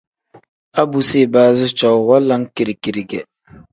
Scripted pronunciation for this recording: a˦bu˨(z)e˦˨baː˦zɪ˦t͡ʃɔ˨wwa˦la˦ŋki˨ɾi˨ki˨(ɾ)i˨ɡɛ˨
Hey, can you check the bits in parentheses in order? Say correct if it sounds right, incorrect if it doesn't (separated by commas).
incorrect, correct